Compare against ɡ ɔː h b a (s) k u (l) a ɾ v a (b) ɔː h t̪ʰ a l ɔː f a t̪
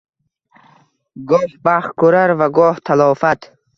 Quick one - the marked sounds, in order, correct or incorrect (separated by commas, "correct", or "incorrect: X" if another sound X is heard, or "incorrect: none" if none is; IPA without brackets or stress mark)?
incorrect: χ, incorrect: ɾ, incorrect: ɡ